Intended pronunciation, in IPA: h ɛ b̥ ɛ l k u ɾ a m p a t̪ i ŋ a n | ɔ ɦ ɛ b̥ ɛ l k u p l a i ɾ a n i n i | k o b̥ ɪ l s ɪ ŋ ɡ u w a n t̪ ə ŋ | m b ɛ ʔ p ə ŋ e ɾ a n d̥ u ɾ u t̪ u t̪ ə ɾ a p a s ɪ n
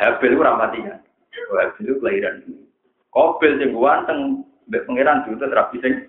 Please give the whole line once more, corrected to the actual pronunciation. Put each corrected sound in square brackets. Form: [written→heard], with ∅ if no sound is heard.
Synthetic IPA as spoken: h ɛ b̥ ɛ l k u ɾ a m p a t̪ i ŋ a n | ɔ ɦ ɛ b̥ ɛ l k u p l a i ɾ a n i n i | k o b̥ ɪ l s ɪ ŋ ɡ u w a n t̪ ə ŋ | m b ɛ ʔ p ə ŋ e ɾ a n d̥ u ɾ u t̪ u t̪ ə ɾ a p [a→i] s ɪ [n→ŋ]